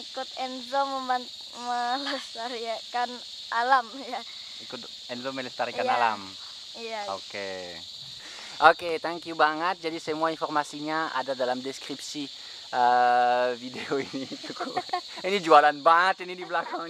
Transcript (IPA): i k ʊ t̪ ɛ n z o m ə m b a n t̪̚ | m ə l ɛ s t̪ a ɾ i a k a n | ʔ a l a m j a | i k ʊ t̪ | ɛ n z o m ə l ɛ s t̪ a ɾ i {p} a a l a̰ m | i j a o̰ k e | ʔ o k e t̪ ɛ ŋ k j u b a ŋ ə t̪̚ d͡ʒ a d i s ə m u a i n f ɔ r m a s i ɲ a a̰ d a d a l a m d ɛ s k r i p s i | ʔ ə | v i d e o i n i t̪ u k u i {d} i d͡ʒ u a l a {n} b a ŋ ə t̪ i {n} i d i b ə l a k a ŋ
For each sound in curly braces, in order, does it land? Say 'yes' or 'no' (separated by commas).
no, no, yes, yes